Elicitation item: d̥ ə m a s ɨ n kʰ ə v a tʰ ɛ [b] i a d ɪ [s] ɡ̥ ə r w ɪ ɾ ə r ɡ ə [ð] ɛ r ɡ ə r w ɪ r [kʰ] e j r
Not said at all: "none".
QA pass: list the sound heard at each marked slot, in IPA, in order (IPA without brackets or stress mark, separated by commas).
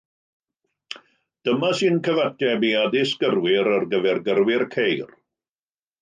b, s, v, kʰ